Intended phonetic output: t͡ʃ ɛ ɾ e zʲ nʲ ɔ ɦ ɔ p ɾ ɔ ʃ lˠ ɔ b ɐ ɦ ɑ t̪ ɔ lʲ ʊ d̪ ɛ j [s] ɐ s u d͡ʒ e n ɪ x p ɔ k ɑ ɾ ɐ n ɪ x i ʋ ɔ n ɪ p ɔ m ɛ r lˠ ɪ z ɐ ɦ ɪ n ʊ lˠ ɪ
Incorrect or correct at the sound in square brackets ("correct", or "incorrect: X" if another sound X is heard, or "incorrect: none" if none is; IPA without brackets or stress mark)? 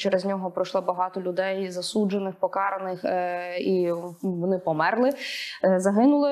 incorrect: z